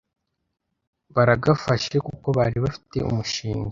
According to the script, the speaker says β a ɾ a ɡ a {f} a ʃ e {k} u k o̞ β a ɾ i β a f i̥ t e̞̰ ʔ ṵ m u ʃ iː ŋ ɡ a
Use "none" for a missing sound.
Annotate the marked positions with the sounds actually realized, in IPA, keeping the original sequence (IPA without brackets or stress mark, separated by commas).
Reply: f, k